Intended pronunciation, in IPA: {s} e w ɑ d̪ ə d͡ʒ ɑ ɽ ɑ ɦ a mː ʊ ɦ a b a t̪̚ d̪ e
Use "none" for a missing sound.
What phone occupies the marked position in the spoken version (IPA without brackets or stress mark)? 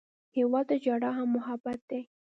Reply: h